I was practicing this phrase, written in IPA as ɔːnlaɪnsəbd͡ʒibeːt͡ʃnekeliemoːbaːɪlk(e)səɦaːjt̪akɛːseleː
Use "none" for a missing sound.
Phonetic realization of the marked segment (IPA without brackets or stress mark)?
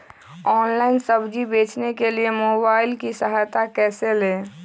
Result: i